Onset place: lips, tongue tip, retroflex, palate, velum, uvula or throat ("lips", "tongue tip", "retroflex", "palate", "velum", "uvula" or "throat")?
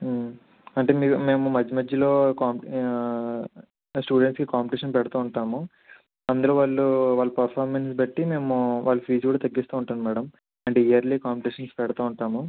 retroflex